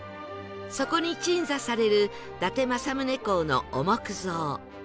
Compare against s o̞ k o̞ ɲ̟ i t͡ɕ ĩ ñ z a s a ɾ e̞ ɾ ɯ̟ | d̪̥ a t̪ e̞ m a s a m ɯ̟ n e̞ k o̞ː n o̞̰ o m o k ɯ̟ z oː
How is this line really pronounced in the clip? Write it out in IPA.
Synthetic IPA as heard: s o̞ k o̞ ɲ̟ i t͡ɕ ĩ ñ z a s a ɾ e̞ ɾ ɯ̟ | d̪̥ a t̪ e̞ m a s a m ɯ̟ n e̞ k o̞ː n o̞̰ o m o k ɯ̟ z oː